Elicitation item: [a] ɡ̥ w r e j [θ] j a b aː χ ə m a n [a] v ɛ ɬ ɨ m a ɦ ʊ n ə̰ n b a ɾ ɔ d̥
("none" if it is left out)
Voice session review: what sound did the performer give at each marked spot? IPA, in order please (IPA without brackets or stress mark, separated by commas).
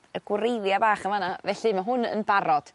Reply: ə, ð, a